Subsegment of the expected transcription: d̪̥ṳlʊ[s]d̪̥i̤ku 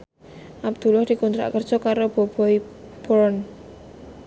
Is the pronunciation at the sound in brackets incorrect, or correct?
incorrect